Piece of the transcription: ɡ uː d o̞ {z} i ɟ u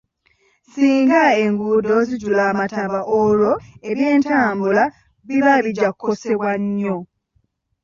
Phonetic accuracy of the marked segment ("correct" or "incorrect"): correct